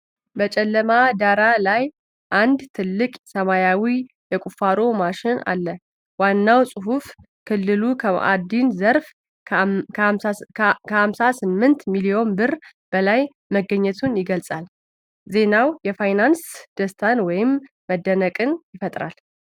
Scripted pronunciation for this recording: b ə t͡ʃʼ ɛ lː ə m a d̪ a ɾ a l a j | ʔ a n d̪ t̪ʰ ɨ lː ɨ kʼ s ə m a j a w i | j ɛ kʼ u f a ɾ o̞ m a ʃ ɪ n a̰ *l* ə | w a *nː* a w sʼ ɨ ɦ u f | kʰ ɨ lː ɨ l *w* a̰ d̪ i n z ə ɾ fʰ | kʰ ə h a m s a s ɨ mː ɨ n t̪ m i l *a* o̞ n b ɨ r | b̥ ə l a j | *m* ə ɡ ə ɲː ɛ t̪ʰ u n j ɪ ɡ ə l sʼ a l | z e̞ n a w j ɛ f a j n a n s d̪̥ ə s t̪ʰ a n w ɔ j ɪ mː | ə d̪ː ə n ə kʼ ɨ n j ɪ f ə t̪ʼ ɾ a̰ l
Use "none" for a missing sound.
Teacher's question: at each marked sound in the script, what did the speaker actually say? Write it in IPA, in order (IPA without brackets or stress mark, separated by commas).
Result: lː, nː, u, i, m